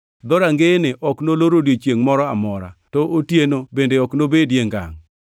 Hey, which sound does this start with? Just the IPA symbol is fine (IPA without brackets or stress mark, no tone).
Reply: d̪